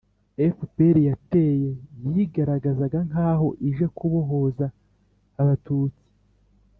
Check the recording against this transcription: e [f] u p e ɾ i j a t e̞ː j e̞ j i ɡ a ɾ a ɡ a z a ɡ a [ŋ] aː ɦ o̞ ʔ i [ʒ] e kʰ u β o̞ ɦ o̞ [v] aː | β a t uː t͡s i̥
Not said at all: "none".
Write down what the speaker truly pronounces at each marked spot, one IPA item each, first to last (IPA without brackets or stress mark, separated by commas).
f, ŋ, ʒ, z